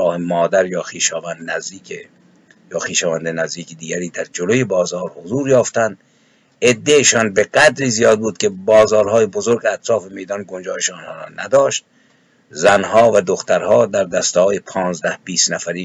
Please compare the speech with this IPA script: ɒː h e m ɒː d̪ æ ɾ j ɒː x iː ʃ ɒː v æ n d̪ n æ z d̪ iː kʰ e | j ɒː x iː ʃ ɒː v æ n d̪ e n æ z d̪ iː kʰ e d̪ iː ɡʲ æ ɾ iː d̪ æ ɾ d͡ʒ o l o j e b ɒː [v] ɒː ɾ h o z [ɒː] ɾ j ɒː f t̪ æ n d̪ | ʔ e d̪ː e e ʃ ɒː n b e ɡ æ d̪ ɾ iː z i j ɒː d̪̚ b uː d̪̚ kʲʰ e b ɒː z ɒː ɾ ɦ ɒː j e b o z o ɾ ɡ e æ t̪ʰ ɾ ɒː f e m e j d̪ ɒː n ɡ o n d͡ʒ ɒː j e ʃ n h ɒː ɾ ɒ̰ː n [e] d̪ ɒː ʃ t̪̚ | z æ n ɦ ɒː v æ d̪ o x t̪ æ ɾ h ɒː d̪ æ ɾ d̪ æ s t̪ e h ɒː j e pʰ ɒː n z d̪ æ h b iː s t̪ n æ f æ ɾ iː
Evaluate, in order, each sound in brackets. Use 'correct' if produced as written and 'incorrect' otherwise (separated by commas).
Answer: incorrect, incorrect, incorrect